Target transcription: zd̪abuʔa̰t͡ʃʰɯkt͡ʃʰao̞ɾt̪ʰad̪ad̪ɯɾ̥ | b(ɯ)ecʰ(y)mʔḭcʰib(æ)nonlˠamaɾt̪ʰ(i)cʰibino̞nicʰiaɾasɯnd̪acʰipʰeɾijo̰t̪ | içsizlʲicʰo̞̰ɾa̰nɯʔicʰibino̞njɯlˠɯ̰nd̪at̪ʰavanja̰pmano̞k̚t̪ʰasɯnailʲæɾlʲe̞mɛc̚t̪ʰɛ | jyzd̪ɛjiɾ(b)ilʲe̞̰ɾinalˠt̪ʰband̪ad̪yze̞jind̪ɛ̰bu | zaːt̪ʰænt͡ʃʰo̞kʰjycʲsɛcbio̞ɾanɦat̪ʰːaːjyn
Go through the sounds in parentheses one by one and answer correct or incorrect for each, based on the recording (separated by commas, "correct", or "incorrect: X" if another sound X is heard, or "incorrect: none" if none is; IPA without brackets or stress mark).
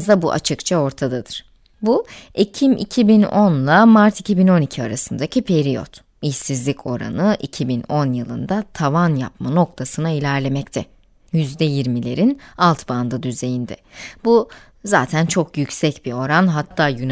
incorrect: u, incorrect: i, incorrect: i, correct, incorrect: m